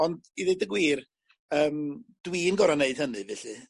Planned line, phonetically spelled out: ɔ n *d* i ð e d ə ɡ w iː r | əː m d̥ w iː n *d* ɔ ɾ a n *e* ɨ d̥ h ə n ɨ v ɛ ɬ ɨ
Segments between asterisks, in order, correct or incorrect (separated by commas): correct, incorrect, correct